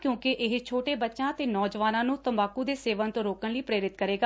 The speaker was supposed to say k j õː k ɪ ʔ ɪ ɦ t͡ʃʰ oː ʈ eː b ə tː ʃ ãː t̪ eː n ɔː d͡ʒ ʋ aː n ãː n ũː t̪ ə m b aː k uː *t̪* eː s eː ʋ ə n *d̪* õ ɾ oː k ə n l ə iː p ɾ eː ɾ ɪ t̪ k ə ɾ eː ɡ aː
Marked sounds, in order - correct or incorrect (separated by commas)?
incorrect, incorrect